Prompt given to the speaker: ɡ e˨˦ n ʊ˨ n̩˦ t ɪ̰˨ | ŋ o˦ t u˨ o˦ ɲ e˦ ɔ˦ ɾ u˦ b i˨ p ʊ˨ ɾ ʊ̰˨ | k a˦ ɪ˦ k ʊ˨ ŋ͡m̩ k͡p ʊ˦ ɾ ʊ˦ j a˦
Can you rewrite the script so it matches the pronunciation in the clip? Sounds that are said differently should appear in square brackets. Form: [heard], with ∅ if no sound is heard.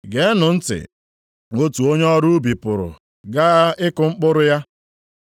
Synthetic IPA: ɡ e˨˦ n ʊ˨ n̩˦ t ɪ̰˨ | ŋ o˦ t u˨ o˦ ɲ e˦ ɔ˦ ɾ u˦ b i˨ p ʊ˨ ɾ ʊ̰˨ | [ɡ] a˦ ɪ˦ k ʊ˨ ŋ͡m̩ k͡p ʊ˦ ɾ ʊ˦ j a˦